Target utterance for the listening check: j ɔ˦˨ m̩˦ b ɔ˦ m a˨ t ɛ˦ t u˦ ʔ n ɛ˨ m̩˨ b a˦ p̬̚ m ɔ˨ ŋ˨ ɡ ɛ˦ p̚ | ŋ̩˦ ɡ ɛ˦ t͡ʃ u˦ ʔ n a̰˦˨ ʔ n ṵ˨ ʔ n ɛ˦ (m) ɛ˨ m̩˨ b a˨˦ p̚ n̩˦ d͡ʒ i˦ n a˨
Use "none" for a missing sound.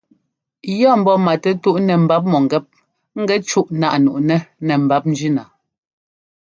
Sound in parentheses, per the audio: n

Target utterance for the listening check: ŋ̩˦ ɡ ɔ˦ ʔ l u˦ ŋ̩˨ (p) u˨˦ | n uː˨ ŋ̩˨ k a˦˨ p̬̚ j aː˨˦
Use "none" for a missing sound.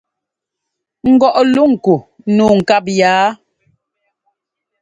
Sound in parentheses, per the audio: k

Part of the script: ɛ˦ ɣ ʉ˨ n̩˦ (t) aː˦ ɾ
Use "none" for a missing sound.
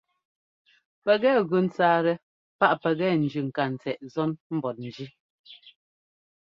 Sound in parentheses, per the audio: t͡s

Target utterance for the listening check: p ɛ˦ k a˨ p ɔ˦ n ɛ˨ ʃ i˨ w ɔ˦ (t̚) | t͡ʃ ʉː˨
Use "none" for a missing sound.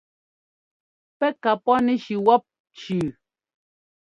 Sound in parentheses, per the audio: p̚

